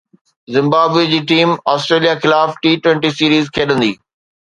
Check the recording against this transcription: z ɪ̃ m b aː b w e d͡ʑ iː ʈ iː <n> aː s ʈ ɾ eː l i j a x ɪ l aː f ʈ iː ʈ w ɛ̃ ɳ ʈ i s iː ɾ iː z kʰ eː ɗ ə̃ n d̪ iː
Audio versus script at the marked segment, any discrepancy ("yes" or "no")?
yes